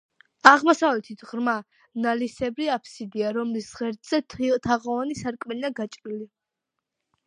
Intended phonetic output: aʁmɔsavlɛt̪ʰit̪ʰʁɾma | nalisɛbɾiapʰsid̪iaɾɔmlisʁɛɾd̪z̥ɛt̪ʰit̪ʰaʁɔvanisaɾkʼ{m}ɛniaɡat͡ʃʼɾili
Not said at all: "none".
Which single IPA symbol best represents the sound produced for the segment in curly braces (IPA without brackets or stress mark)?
m